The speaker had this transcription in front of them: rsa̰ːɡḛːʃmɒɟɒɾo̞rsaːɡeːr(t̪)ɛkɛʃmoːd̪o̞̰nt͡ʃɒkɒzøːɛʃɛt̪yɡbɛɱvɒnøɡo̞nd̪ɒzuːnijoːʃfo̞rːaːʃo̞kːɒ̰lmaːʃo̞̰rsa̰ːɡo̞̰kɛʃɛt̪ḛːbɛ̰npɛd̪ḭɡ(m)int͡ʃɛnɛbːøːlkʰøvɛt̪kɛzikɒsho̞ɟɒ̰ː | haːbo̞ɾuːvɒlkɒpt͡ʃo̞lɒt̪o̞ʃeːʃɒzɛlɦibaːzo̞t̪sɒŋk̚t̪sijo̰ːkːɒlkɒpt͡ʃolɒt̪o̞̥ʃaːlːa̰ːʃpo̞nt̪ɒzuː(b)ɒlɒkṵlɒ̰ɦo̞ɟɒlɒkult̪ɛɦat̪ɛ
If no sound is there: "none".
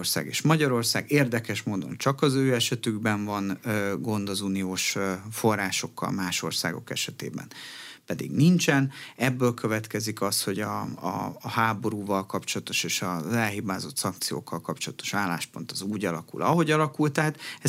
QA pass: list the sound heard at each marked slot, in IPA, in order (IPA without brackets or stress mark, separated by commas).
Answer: d̪, n, ɟ